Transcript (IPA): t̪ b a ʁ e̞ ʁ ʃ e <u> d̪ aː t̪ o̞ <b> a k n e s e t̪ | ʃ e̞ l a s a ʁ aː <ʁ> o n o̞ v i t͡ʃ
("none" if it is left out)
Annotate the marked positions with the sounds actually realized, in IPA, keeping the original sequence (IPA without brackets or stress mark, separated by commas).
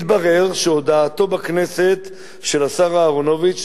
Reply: o, b, ʁ